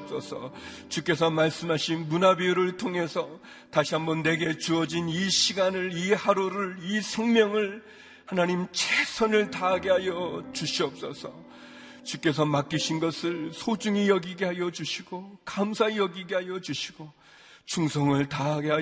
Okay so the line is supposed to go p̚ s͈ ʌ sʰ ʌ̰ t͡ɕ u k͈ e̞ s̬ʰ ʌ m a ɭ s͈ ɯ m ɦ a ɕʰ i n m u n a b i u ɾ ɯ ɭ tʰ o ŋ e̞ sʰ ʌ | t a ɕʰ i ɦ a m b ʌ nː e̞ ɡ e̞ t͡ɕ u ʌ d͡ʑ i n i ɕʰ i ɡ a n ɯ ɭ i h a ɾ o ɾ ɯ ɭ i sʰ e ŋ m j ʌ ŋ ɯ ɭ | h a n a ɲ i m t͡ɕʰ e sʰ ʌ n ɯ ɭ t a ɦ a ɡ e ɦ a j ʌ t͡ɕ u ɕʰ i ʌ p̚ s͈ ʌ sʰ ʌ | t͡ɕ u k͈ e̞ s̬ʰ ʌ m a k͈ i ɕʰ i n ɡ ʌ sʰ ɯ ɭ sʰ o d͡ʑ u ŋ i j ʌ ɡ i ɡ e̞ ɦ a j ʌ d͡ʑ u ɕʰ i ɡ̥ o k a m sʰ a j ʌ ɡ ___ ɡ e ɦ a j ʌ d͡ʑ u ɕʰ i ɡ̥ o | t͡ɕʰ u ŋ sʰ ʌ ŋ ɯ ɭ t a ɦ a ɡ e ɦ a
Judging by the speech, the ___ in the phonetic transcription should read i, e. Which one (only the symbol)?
i